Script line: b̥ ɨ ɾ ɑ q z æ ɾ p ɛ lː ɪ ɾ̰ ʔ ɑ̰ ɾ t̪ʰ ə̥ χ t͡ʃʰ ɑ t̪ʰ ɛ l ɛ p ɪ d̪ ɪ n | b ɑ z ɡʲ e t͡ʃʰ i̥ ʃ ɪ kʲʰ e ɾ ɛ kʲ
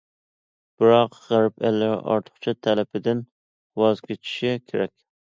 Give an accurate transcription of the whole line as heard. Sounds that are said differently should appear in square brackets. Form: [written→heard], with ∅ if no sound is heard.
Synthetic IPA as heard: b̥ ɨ ɾ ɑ q [z→ʁ] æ ɾ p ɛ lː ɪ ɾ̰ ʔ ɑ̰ ɾ t̪ʰ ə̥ χ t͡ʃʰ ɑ t̪ʰ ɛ l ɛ p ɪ d̪ ɪ n | [b→w] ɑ z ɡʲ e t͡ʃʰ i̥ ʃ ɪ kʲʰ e ɾ ɛ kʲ